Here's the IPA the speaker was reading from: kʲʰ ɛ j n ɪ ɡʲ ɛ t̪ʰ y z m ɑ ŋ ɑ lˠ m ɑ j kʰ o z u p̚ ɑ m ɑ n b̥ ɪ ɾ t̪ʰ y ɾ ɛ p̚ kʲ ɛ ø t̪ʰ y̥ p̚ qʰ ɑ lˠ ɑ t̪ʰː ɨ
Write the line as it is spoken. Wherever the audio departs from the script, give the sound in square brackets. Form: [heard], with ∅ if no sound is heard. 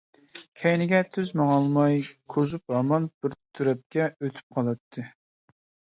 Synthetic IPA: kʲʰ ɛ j n ɪ ɡʲ ɛ t̪ʰ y z m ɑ ŋ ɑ lˠ m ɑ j kʰ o z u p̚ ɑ m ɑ n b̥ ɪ ɾ t̪ʰ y ɾ ɛ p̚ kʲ ɛ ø t̪ʰ y̥ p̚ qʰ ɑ lˠ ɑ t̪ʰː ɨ